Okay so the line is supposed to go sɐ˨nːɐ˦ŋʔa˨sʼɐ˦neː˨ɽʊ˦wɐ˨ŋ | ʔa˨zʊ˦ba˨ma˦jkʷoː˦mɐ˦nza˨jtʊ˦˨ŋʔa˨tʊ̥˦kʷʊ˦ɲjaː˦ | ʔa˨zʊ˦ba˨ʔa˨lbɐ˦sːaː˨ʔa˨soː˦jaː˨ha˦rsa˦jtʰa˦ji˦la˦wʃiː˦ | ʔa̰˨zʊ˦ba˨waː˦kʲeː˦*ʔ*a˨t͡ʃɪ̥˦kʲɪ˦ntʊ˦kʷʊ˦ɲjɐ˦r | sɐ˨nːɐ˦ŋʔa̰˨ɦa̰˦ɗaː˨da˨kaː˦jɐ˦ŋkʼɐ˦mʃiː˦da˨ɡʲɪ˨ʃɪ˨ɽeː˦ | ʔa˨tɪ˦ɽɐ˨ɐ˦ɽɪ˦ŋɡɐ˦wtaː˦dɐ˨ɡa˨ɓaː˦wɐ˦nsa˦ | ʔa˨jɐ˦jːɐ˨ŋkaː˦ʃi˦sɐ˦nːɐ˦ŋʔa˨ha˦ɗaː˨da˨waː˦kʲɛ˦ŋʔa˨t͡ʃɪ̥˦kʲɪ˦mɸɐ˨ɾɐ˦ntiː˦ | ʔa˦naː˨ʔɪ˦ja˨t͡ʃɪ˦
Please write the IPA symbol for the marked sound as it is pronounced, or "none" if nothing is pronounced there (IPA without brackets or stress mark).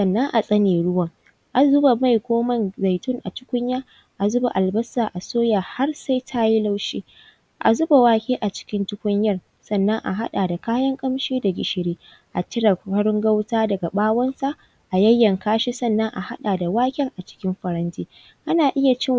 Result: ʔ